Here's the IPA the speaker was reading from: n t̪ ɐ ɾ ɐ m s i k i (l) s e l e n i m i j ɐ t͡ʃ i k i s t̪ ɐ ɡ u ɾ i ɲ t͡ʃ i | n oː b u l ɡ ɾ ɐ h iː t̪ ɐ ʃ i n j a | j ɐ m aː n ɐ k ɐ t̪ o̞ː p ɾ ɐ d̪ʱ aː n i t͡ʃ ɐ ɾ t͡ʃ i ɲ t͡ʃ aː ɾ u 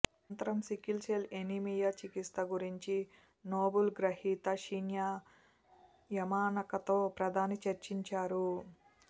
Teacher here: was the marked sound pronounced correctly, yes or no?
yes